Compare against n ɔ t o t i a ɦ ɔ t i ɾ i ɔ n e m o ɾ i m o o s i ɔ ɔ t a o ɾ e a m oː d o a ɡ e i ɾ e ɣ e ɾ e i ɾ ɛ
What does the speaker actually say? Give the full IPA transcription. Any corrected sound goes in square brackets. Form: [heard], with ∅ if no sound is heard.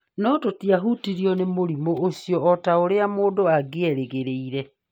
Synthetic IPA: n ɔ t o t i a ɦ [u] t i ɾ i ɔ n e m o ɾ i m o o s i ɔ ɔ t a o ɾ e a m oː d o a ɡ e [ɛ] ɾ e ɣ e ɾ e i ɾ ɛ